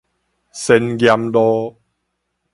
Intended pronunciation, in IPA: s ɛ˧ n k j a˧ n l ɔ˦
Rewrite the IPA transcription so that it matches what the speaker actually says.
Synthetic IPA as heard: s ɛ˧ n ɡ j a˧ m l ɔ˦